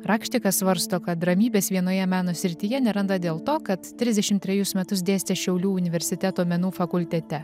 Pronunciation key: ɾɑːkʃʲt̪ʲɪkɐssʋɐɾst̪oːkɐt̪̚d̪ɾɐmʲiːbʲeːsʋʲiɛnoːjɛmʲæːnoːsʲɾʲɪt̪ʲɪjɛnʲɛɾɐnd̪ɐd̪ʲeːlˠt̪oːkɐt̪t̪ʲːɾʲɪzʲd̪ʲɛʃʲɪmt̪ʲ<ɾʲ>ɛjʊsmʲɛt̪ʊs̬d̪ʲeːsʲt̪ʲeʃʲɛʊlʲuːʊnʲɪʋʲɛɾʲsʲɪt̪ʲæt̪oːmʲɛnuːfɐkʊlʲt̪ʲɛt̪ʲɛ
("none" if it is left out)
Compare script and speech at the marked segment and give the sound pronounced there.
ɾʲ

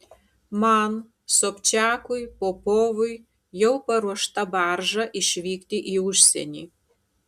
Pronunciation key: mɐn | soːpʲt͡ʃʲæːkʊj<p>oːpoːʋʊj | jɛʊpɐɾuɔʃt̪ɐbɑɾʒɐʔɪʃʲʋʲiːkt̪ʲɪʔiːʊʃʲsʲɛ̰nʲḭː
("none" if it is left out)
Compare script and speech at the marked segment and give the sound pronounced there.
p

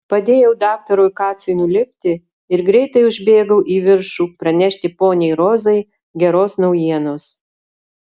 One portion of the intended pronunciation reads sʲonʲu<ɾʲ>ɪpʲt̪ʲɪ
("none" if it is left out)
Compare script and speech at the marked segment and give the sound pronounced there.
lʲ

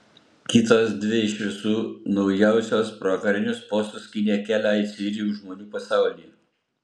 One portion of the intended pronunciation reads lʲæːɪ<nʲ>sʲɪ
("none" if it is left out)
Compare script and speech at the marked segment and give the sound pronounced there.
none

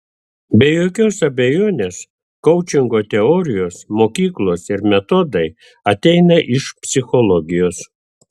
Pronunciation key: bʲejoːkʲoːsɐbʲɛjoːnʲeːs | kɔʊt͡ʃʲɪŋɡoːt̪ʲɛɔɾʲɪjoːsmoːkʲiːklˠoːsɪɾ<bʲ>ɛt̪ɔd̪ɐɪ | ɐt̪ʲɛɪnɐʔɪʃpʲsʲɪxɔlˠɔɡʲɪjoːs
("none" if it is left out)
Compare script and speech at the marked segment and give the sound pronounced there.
mʲ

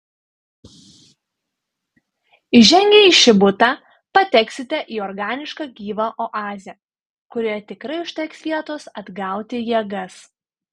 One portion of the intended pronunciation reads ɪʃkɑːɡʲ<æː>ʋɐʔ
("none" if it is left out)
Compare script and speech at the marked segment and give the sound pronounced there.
iː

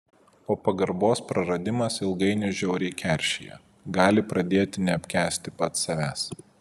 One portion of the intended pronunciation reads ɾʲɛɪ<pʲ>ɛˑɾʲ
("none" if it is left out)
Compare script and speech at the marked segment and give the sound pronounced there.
kʲ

